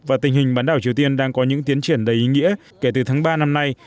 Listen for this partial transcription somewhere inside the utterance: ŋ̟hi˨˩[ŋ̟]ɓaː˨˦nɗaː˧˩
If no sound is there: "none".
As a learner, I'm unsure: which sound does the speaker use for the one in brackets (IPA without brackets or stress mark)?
ŋ̟